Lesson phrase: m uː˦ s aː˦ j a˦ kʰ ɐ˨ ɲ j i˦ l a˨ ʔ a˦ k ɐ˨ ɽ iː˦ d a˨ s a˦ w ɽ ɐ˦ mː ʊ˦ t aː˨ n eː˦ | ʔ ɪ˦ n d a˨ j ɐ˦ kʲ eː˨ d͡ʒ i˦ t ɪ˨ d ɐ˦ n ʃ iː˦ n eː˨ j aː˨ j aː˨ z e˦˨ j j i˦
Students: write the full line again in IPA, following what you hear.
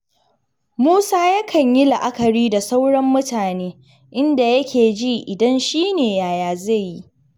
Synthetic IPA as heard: m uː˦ s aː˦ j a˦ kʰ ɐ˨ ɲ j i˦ l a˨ ʔ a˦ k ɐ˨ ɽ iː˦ d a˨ s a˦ w ɽ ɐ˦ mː ʊ˦ t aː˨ n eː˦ | ʔ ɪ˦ n d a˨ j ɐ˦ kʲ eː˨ d͡ʒ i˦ ʔ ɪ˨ d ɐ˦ n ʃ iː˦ n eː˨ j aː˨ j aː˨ z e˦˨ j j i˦